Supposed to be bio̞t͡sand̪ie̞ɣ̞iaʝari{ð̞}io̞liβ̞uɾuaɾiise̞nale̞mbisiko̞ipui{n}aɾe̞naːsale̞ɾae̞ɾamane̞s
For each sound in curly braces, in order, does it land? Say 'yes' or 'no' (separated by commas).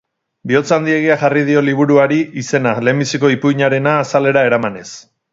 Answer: yes, no